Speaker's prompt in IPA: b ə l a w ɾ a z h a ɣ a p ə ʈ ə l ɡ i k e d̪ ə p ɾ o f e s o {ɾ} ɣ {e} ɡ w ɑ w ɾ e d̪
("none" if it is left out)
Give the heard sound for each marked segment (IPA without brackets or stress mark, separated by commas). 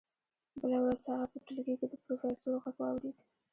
ɾ, a